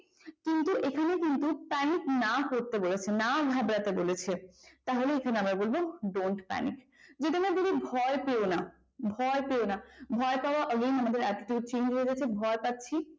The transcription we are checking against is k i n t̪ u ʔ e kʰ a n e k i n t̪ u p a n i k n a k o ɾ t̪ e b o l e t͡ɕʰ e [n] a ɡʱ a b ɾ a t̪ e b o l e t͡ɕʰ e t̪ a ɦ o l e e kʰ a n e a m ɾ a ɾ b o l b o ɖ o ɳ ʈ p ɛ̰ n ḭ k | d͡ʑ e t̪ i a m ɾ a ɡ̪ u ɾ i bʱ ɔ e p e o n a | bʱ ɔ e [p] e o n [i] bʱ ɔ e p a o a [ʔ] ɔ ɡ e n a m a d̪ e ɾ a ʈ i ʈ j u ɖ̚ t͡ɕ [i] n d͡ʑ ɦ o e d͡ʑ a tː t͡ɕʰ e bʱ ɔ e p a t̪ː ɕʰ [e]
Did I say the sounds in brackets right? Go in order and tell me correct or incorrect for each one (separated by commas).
correct, correct, incorrect, correct, incorrect, incorrect